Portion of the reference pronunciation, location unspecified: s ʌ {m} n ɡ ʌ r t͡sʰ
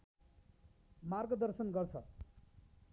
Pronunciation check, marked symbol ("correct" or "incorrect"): incorrect